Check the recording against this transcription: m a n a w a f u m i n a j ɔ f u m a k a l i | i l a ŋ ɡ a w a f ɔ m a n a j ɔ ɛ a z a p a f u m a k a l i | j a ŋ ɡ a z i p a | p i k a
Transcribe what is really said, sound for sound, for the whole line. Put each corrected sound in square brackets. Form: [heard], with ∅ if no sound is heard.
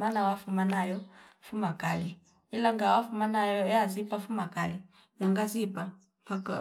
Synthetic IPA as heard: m a n a w a f u m [a] n a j ɔ f u m a k a l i | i l a ŋ ɡ a w a f [u] m a n a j ɔ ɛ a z [i] p a f u m a k a l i | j a ŋ ɡ a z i p a | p [a] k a